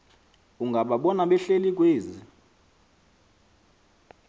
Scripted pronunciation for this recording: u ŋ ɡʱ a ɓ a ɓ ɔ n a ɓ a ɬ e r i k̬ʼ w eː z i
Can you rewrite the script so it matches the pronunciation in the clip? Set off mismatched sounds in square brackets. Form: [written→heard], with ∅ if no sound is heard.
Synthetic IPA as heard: u ŋ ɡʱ a ɓ a ɓ ɔ n a ɓ [a→ɛ] ɬ e [r→l] i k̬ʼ w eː z i